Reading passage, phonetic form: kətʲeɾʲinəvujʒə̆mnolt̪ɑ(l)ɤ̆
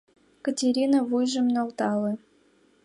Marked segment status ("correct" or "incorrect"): correct